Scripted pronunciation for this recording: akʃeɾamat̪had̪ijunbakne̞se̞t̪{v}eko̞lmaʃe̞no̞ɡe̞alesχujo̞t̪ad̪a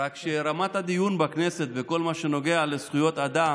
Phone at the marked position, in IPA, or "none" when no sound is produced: v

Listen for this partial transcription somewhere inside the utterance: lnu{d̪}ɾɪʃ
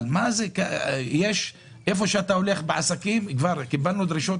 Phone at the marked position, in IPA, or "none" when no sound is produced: d̪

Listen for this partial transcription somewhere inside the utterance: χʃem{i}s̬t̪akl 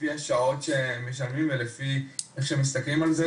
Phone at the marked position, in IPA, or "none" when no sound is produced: i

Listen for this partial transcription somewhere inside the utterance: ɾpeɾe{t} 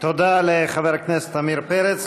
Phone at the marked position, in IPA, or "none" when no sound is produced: t͡s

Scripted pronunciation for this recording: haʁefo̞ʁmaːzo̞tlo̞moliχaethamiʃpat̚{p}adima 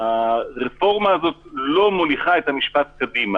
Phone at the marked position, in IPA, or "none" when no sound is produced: k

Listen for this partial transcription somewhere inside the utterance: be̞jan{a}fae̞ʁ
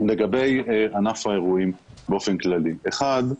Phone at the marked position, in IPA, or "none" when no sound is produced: a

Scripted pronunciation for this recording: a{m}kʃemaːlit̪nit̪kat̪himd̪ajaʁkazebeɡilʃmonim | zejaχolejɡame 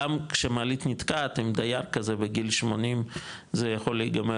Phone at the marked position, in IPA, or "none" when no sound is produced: m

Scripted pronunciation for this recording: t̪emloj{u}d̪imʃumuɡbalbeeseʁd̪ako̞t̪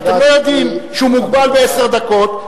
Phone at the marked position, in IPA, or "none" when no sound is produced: o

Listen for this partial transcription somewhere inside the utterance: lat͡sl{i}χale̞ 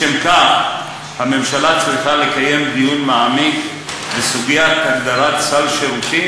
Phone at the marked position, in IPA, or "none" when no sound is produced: i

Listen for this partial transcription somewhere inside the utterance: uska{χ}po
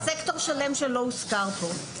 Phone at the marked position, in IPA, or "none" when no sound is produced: ʁ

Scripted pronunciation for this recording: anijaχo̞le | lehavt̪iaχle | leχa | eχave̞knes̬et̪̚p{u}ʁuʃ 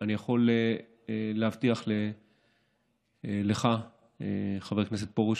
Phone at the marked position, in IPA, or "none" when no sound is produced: o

